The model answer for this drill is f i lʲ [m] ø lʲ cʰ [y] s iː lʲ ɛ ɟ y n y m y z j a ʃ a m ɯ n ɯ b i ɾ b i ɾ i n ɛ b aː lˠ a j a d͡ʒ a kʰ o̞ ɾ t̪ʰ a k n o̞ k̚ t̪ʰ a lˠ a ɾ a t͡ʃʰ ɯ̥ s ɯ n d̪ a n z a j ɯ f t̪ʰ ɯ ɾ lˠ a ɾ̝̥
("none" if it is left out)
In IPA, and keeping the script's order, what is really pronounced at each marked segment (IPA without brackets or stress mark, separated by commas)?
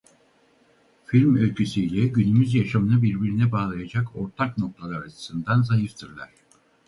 m, y